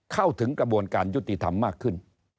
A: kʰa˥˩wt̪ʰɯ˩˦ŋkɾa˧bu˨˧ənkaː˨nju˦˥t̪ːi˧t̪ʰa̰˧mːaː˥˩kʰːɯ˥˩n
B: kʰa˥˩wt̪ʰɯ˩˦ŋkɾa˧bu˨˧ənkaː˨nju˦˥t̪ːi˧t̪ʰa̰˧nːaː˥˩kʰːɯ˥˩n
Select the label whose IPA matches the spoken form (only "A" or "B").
A